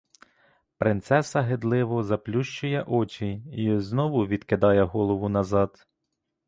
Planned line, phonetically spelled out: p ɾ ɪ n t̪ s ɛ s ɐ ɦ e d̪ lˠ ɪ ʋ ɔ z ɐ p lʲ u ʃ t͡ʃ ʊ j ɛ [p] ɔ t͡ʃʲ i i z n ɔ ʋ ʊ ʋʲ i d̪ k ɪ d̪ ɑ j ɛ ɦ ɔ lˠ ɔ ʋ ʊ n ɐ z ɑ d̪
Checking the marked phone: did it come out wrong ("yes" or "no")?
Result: yes